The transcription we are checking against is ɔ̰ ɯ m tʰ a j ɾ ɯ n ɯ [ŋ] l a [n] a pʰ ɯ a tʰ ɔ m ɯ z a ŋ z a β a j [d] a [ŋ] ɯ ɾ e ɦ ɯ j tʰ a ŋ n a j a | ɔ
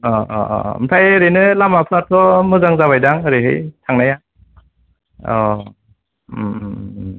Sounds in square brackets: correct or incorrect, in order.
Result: incorrect: none, incorrect: m, correct, correct

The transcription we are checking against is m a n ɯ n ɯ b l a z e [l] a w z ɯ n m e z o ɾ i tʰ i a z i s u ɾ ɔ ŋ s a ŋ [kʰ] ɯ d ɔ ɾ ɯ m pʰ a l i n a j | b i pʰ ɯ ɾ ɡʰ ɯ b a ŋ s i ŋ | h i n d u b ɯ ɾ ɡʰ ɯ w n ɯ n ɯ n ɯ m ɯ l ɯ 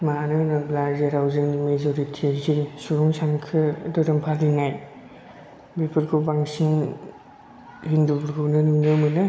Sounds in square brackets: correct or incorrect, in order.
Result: incorrect: ɾ, correct

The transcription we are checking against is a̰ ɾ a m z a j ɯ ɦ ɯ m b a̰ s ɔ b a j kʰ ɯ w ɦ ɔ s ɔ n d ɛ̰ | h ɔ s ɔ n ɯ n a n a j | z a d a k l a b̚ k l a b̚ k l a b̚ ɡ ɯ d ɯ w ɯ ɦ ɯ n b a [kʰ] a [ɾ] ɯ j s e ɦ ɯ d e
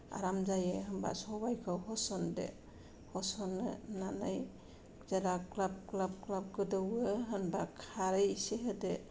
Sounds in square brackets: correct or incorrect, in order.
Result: correct, correct

